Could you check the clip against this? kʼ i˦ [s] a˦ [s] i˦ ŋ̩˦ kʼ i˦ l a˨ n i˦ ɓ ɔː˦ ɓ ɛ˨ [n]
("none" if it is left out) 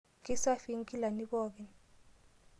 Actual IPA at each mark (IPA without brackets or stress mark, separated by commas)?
s, f, n